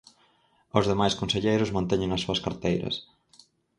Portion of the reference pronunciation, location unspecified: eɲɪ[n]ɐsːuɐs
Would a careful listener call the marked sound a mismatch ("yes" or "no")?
yes